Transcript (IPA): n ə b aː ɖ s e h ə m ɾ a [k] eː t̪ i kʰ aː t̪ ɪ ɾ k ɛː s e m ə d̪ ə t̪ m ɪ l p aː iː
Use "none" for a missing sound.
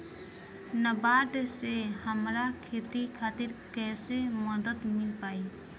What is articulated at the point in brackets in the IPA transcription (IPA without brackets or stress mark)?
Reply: kʰ